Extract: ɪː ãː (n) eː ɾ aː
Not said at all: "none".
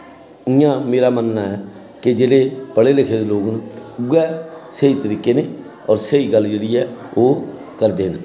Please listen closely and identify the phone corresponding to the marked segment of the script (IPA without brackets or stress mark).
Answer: m